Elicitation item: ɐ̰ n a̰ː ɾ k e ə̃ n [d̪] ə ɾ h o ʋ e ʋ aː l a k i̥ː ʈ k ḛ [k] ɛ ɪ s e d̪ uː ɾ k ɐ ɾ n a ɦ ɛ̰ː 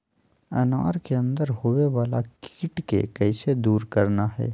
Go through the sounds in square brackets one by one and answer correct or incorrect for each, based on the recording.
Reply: correct, correct

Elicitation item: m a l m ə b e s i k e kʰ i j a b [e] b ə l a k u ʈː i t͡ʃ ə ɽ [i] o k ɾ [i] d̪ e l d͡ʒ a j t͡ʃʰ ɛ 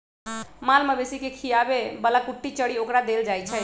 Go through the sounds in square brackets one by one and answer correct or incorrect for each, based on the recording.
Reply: correct, correct, incorrect: a

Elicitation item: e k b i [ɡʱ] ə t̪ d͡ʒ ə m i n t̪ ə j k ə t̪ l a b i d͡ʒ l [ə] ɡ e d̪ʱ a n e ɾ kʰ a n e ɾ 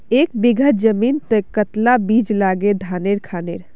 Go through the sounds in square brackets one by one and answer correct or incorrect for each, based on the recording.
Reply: correct, incorrect: a

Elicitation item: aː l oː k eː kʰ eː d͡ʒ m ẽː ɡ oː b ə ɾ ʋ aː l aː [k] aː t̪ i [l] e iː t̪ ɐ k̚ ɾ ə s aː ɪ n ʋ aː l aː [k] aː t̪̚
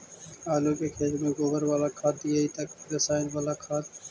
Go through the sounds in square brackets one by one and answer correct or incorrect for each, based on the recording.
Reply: incorrect: kʰ, incorrect: none, incorrect: kʰ

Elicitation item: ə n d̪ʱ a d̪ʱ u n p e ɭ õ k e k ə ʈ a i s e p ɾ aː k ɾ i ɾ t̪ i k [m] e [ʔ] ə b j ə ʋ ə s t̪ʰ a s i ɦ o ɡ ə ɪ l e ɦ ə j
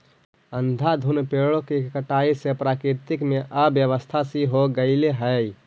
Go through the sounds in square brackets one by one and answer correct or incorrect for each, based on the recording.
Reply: correct, correct

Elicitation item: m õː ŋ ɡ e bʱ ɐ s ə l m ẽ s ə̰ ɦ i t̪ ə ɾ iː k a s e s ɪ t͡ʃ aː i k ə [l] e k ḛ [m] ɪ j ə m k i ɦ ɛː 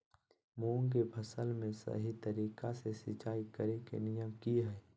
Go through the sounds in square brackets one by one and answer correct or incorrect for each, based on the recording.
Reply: incorrect: ɾ, incorrect: n

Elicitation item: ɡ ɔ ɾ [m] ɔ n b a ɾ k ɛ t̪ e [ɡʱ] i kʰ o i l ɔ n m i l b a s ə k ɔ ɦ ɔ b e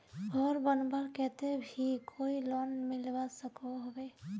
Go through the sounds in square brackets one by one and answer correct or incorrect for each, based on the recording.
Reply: incorrect: b, incorrect: bʱ

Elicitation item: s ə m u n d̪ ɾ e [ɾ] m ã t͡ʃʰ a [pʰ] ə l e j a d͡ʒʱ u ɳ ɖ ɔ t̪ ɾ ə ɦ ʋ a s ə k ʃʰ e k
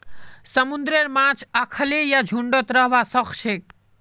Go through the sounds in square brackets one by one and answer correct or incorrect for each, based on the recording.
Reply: correct, incorrect: kʰ

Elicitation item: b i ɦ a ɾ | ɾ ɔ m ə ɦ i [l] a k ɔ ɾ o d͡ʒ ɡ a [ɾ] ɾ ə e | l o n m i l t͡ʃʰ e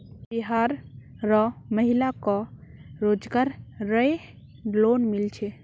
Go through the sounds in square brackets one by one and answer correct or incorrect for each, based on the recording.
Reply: correct, correct

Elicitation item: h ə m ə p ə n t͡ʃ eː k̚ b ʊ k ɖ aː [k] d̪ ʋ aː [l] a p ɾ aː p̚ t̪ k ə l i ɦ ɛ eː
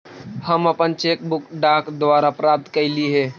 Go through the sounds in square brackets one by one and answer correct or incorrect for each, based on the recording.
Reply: correct, incorrect: ɾ

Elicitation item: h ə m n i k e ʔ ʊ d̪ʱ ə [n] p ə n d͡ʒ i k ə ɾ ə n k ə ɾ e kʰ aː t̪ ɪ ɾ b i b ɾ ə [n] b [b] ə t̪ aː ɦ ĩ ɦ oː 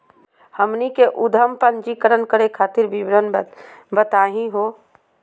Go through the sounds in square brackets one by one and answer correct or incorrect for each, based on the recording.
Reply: incorrect: m, correct, correct

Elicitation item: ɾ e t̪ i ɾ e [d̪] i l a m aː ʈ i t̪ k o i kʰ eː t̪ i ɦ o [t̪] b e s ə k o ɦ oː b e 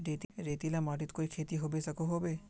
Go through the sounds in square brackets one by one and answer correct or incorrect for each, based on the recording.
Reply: incorrect: t̪, incorrect: none

